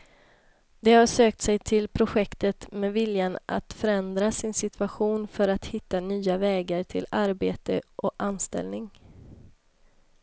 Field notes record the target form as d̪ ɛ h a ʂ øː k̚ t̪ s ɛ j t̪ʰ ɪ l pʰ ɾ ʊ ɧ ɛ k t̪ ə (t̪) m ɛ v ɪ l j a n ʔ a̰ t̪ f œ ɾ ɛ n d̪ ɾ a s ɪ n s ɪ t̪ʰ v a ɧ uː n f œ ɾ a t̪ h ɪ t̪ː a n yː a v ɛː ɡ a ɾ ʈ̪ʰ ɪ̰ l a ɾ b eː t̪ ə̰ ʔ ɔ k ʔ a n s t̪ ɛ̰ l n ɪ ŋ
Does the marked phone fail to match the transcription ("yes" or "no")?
no